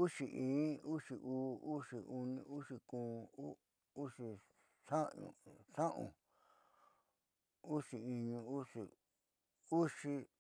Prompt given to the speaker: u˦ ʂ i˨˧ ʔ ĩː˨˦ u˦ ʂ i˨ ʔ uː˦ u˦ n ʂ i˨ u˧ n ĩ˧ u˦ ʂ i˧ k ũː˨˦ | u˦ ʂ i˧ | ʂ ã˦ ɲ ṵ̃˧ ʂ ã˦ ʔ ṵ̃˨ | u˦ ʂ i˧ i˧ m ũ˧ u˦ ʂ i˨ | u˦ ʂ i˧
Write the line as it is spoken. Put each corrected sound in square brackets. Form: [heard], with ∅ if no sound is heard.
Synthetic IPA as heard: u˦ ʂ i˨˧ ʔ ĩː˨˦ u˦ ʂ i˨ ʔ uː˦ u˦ [∅] ʂ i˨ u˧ n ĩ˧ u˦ ʂ i˧ k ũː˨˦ | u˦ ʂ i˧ | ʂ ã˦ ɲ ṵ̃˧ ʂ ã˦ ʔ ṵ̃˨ | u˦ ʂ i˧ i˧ [ɲ] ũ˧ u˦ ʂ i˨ | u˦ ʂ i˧